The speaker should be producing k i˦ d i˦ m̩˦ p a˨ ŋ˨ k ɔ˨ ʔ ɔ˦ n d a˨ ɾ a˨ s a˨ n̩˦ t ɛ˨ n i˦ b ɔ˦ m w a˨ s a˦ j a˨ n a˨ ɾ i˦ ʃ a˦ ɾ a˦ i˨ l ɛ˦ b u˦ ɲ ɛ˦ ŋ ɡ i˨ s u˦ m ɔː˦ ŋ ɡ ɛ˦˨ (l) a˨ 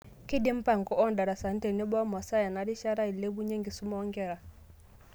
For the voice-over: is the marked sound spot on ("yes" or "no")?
no